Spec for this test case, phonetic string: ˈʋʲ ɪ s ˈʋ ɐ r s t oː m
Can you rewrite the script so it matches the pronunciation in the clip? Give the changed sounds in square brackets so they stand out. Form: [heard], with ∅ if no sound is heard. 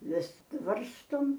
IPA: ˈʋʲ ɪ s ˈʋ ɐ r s t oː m